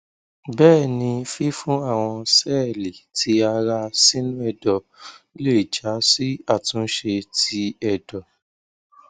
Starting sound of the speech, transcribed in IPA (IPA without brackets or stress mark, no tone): b